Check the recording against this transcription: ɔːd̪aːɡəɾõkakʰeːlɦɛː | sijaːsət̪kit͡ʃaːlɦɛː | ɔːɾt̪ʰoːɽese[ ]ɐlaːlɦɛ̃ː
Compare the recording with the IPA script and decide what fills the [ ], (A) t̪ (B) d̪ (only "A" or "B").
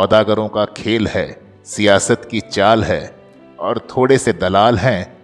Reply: B